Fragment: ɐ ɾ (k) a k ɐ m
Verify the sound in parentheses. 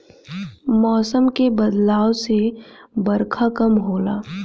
incorrect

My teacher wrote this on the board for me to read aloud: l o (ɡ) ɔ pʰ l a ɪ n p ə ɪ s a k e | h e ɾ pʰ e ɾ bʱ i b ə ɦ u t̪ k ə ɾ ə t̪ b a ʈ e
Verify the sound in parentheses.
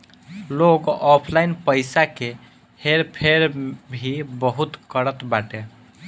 correct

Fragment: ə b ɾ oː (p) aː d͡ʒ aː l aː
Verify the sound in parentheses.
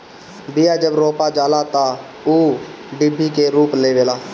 correct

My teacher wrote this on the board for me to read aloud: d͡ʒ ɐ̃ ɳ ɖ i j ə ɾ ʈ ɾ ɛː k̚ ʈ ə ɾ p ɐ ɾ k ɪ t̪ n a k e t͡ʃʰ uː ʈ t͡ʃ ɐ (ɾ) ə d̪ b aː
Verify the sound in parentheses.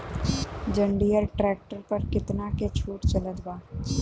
incorrect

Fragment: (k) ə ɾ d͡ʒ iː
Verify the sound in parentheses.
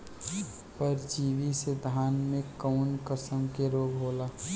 incorrect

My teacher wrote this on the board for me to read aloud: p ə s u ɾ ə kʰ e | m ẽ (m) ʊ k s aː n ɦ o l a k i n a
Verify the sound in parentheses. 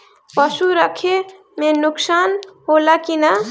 incorrect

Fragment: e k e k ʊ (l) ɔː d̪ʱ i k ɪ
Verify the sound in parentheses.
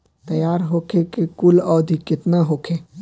correct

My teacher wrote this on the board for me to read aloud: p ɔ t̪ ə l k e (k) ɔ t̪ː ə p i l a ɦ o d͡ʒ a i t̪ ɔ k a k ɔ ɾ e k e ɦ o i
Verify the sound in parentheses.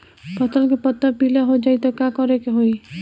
incorrect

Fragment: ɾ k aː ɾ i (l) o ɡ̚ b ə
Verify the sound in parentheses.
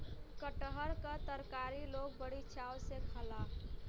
correct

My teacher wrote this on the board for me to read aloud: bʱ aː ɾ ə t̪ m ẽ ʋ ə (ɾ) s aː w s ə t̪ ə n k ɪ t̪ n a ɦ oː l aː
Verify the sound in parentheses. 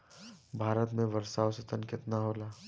correct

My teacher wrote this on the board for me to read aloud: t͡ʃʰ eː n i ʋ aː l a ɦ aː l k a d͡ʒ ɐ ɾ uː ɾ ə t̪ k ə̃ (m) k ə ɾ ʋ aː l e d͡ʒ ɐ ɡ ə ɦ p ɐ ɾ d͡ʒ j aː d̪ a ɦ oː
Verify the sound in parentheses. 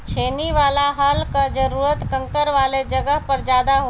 incorrect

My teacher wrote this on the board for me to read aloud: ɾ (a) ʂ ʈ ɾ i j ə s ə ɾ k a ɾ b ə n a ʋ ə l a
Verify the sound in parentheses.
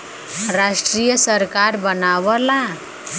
correct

